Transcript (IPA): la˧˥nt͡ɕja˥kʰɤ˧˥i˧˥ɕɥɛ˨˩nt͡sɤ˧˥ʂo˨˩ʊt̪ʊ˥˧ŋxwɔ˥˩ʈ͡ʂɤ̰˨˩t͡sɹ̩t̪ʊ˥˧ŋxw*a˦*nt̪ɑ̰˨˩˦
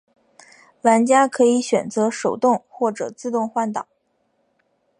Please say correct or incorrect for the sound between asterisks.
incorrect